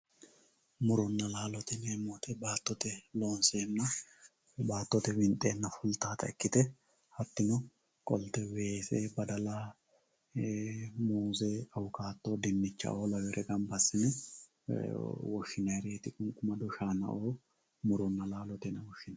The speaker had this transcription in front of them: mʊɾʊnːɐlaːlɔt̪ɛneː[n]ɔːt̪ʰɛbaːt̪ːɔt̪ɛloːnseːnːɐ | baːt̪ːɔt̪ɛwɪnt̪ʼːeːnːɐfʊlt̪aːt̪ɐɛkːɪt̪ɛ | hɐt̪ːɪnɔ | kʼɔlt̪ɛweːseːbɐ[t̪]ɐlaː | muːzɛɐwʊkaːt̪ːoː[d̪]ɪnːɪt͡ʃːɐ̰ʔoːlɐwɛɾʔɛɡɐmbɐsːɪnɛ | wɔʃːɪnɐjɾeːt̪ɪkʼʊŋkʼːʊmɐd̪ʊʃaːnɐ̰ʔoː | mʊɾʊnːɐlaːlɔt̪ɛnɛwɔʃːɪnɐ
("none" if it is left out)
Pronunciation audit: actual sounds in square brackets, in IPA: m, d̪, d̪

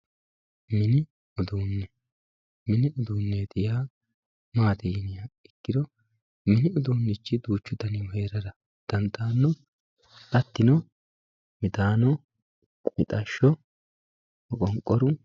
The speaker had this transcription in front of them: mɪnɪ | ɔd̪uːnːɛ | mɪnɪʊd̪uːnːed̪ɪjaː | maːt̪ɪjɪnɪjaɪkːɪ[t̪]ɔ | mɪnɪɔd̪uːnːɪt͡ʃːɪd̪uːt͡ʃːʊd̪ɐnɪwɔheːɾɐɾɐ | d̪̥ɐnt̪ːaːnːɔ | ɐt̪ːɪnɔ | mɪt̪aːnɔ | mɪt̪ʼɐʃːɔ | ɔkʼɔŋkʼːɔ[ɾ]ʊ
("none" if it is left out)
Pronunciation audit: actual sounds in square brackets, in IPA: d̪, ɾ

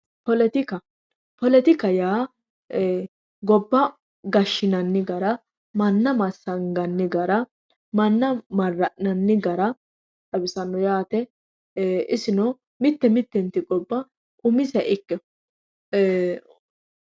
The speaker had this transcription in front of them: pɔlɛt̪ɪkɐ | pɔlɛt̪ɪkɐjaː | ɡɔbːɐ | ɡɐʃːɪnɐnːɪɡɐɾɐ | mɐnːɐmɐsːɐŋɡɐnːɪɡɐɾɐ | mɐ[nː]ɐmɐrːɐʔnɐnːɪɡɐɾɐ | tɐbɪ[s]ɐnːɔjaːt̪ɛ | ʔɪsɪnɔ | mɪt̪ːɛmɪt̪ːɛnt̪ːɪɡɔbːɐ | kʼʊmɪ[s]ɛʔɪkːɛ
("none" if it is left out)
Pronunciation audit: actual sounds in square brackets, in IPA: nː, s, s

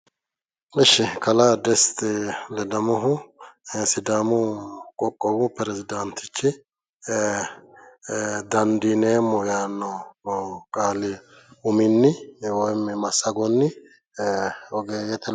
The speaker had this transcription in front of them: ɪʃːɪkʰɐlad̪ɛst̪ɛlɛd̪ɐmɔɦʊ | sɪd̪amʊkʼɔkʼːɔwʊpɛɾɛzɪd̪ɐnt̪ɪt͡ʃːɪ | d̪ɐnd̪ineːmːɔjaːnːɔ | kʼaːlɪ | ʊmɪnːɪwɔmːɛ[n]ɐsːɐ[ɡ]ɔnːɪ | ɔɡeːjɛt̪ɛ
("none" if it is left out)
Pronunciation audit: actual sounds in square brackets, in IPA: m, ɡ

